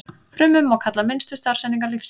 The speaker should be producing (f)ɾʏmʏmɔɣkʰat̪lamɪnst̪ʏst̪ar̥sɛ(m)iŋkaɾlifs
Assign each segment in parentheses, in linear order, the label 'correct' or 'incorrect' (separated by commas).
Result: correct, incorrect